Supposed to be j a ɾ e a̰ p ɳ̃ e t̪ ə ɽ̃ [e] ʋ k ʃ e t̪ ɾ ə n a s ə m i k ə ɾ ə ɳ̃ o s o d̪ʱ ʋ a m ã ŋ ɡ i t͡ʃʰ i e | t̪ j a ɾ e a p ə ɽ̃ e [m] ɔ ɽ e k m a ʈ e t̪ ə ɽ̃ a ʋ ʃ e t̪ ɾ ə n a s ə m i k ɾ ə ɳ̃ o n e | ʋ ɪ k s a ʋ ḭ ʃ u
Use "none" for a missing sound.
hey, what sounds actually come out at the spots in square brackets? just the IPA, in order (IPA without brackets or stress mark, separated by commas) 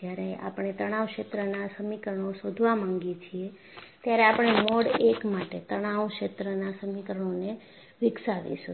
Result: a, m